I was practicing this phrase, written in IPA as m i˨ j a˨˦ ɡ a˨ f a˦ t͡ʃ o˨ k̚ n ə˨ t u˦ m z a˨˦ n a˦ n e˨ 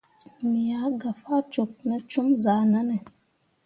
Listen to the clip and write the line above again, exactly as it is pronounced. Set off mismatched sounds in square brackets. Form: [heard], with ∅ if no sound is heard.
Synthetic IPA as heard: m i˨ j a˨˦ ɡ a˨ f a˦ t͡ʃ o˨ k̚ n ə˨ [t͡ʃ] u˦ m z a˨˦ n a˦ n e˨